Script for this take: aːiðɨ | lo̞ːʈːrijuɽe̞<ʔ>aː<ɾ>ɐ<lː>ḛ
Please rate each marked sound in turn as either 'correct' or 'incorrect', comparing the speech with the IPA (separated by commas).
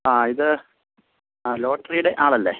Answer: correct, incorrect, correct